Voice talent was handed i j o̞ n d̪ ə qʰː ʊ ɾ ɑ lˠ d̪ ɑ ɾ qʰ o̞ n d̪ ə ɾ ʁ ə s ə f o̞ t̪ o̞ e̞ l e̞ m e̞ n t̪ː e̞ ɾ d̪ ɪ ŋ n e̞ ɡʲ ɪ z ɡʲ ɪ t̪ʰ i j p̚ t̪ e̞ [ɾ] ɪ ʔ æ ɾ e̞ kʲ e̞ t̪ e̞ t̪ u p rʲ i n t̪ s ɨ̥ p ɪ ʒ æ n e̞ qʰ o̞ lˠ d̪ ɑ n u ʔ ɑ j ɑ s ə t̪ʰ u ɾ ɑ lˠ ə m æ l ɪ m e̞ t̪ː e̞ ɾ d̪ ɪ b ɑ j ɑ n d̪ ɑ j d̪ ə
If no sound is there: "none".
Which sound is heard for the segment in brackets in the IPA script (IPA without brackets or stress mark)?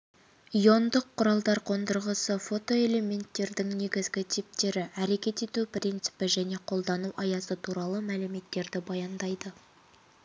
ɾ